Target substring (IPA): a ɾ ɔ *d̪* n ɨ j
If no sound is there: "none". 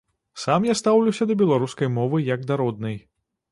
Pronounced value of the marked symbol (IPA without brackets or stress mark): d̪